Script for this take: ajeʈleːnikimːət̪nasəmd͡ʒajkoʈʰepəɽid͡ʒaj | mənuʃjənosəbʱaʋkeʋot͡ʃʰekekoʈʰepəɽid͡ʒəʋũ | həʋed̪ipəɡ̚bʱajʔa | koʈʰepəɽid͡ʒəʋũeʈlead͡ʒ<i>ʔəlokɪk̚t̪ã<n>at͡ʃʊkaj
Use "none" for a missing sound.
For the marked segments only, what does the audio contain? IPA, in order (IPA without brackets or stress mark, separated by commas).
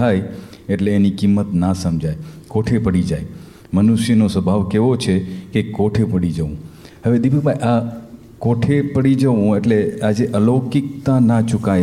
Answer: e, n